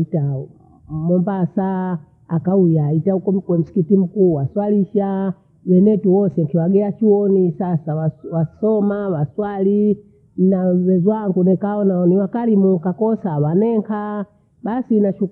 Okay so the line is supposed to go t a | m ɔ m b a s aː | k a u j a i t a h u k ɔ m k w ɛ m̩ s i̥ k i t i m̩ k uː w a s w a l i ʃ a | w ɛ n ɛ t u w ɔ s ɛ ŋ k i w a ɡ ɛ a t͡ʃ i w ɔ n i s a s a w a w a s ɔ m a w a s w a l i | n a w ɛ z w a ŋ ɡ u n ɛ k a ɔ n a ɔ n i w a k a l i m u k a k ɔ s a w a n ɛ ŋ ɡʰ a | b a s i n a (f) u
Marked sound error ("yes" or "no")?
yes